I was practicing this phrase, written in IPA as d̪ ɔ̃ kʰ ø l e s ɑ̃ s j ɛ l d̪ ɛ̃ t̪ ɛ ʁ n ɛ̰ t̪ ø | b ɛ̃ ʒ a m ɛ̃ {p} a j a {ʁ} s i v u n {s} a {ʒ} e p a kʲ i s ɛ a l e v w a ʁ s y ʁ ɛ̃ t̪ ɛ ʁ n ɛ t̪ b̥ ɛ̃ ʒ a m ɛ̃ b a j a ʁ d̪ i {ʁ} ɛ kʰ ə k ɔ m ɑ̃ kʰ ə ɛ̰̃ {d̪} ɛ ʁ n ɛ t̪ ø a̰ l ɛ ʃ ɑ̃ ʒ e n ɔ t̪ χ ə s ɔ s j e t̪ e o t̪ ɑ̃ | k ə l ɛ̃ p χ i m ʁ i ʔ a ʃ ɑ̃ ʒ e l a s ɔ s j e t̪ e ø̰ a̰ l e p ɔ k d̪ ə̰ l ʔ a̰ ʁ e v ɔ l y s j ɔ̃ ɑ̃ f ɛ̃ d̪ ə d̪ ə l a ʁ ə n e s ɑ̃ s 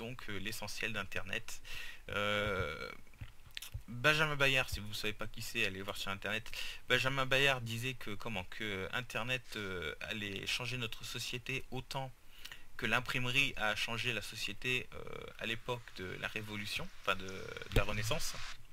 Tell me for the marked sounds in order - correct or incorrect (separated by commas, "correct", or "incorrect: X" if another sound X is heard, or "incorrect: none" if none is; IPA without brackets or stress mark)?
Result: incorrect: b, correct, correct, incorrect: v, incorrect: z, incorrect: t̪